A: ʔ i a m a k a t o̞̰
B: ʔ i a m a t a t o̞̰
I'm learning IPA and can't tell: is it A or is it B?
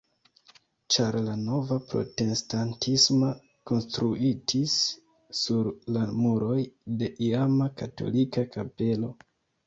A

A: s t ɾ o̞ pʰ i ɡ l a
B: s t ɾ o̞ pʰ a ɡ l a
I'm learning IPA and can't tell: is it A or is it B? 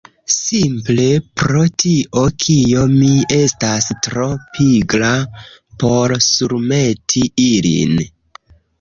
A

